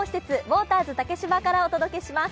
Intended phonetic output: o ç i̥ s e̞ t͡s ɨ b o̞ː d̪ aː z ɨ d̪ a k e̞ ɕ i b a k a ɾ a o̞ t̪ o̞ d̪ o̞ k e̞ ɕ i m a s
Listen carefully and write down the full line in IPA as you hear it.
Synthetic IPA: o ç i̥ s e̞ t͡s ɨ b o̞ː t̪ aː z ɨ t̪ a k e̞ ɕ i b a k a ɾ a o̞ t̪ o̞ d̪ o̞ k e̞ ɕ i m a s